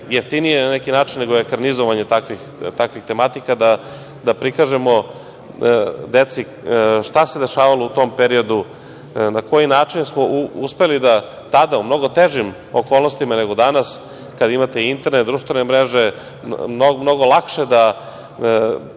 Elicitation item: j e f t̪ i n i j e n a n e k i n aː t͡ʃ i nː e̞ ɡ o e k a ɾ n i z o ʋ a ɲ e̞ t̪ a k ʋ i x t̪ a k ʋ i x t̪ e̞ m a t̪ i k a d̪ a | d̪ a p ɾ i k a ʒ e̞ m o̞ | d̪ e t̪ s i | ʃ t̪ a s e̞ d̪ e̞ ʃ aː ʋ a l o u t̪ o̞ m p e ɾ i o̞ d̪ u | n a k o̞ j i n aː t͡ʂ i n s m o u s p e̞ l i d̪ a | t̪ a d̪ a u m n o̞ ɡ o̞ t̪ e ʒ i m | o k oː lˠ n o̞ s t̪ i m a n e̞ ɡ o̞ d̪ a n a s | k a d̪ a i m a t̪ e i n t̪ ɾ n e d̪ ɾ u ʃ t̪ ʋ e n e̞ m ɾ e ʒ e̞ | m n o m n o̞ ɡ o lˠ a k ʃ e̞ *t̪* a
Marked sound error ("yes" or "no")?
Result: yes